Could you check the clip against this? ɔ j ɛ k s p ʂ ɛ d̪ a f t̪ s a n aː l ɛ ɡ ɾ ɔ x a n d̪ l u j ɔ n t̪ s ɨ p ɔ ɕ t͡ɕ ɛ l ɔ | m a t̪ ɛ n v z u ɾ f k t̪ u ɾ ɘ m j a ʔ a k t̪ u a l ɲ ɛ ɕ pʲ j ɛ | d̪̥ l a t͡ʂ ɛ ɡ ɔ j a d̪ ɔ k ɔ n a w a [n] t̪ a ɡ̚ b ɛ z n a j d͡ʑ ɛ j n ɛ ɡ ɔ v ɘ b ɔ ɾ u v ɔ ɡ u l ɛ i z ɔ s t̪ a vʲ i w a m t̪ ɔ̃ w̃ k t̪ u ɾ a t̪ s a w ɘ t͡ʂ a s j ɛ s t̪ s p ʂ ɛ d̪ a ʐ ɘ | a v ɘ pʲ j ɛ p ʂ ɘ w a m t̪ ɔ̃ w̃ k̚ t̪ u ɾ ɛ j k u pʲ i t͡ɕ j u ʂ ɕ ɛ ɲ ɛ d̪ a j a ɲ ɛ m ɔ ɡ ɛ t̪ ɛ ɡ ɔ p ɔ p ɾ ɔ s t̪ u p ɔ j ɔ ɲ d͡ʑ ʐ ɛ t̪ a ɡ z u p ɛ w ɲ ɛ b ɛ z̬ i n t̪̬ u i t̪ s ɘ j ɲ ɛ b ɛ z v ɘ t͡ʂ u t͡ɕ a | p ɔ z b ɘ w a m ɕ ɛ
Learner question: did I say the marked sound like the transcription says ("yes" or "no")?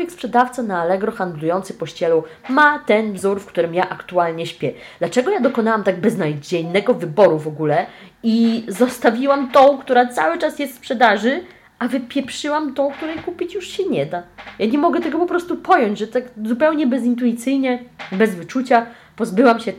no